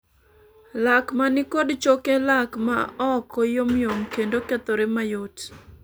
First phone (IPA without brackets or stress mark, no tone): l